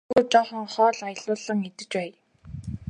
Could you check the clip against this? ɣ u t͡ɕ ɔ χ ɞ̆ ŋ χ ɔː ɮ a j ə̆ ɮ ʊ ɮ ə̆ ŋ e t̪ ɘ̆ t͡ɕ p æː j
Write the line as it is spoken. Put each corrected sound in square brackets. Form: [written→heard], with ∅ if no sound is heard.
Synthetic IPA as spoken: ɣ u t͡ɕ ɔ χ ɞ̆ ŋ χ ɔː ɮ a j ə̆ ɮ [ʊ→ʊː] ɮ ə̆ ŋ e t̪ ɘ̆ t͡ɕ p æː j